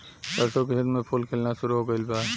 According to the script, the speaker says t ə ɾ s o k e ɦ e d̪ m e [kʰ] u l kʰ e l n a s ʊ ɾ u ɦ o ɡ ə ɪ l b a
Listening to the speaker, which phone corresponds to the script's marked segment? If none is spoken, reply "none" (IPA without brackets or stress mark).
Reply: pʰ